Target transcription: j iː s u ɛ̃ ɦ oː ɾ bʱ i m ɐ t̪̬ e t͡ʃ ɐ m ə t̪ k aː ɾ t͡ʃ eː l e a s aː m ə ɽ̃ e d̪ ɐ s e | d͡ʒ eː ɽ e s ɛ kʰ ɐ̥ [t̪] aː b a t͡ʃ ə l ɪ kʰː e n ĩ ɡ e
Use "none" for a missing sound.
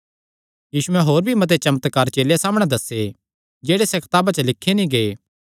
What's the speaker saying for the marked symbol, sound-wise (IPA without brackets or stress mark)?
t̪